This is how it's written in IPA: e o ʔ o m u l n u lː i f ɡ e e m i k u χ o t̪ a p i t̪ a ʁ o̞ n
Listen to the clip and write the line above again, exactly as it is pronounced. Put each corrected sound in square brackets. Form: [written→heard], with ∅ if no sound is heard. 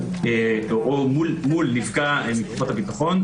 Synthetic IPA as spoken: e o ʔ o m u l [n→m] u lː i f ɡ [e→a] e m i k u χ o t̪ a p i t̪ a [ʁ→χ] o̞ n